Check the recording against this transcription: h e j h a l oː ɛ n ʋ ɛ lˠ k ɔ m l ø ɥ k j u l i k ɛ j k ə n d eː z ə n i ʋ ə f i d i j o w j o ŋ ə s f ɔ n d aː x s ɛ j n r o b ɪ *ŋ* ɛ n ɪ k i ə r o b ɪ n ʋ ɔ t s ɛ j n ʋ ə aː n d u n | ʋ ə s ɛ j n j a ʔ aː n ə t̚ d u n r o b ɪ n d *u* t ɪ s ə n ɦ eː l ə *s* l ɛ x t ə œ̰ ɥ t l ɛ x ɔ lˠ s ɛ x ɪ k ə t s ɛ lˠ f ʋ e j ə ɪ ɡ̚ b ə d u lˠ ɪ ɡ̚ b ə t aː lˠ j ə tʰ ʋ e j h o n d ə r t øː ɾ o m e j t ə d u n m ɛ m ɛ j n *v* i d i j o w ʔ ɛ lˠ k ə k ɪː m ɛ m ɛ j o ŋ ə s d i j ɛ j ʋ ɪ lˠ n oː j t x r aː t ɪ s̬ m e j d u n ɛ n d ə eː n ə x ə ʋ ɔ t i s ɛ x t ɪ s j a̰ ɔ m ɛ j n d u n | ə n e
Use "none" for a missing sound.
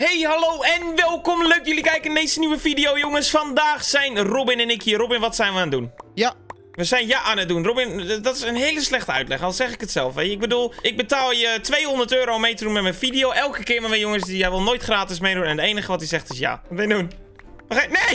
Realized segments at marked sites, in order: n, ɔ, s, f

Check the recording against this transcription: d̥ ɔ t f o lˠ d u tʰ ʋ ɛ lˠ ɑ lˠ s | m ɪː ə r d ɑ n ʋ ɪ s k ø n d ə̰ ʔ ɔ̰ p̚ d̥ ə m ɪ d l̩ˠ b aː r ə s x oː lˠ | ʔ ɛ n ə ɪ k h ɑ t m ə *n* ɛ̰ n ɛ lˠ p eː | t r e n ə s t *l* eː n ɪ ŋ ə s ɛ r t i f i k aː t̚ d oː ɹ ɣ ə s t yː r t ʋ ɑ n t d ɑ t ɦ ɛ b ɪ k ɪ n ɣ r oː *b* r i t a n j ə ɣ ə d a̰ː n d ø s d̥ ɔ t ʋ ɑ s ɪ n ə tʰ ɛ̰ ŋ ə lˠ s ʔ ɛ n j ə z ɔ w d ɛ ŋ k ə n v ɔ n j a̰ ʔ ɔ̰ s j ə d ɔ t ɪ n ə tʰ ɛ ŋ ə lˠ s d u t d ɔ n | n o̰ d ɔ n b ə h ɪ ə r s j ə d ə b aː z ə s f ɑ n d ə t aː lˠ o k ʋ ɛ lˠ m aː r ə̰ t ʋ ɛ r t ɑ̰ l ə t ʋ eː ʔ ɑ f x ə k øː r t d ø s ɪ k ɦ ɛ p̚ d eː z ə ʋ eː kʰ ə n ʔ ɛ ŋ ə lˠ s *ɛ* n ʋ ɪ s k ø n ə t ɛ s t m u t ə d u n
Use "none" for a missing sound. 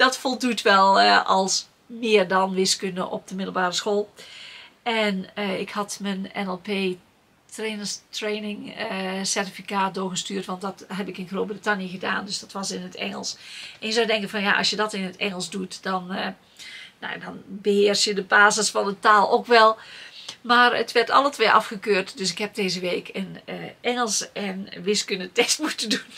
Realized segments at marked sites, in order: n, r, b, ɛ

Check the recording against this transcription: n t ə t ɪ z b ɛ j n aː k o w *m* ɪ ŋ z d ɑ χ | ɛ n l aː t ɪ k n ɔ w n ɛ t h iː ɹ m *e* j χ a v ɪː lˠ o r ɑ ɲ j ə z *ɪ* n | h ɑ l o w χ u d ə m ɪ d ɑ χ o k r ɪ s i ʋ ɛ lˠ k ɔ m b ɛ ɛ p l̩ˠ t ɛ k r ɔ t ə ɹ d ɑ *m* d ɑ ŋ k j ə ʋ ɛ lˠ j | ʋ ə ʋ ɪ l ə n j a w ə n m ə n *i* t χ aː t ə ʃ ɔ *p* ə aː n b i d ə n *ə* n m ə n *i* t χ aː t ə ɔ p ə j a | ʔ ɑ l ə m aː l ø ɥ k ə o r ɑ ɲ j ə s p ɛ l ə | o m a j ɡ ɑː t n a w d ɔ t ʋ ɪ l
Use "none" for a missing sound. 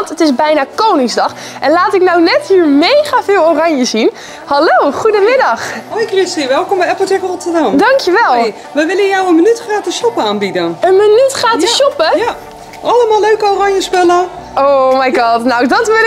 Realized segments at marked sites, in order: n, e, i, m, y, p, ə, y

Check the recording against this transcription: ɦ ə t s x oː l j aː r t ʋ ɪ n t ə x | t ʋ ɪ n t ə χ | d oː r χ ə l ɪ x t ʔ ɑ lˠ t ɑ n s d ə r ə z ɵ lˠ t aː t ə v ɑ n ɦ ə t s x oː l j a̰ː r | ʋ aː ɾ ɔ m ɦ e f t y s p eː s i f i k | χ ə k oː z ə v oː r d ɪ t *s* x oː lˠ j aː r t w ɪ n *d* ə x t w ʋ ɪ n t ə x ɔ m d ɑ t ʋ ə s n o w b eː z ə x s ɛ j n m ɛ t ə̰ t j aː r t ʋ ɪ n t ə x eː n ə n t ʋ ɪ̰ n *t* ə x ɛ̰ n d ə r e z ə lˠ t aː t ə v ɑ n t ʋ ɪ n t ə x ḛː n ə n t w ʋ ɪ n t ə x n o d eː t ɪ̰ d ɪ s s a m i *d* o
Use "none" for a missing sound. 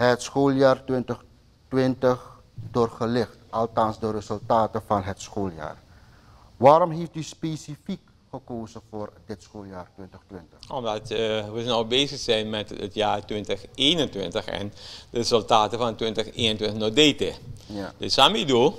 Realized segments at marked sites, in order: s, t, t, d

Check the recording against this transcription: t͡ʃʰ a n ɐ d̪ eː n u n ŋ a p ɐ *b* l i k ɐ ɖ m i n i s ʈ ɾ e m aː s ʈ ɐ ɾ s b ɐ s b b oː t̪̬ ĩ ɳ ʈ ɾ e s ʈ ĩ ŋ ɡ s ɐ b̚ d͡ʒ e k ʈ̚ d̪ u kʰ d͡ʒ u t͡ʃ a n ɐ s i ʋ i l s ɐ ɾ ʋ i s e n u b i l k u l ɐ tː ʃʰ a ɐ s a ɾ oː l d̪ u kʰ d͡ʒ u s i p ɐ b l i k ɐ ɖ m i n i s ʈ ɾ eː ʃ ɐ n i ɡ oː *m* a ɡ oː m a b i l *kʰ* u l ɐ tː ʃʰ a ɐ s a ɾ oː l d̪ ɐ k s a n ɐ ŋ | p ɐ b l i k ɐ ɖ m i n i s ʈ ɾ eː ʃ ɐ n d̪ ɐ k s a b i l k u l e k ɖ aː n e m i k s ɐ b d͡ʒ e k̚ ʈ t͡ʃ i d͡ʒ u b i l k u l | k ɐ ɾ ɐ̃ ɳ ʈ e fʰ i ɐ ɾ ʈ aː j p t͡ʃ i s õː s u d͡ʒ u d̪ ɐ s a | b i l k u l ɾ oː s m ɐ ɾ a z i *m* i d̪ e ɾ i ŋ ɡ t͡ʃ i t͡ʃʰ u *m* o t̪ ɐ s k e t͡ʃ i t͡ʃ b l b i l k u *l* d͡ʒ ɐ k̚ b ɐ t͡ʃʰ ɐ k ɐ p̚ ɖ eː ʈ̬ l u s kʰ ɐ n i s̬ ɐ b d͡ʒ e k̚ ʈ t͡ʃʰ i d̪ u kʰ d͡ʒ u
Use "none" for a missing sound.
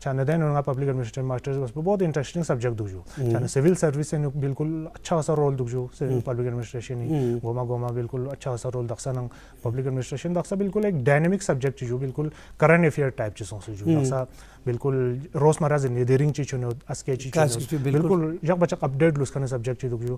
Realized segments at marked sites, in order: b, m, k, n, n, l

